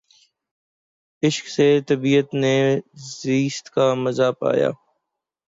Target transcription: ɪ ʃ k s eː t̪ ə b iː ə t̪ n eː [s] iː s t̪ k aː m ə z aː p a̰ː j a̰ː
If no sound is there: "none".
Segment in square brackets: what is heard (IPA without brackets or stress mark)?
z